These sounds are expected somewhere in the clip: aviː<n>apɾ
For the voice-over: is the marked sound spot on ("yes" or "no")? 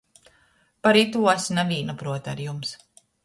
yes